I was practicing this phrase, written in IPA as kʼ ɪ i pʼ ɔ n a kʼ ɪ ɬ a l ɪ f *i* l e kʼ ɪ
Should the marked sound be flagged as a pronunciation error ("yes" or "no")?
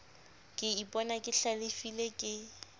no